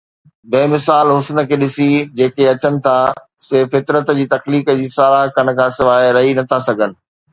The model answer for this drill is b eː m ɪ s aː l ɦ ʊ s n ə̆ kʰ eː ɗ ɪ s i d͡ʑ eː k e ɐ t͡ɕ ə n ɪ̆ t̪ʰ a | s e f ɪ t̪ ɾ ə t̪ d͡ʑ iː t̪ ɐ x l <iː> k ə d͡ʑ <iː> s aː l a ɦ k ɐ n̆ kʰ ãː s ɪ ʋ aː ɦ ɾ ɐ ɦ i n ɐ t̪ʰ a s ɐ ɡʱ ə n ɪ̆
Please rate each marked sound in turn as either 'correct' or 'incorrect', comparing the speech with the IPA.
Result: correct, correct

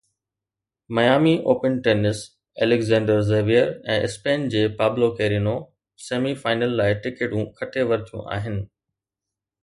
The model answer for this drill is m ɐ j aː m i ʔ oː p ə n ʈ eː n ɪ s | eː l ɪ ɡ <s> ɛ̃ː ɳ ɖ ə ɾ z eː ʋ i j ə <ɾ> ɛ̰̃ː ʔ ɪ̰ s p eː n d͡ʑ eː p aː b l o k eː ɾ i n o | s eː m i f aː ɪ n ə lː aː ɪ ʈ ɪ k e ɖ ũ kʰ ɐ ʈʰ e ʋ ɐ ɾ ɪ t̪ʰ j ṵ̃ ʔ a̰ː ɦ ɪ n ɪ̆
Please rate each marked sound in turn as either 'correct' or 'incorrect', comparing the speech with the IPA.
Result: incorrect: z, correct

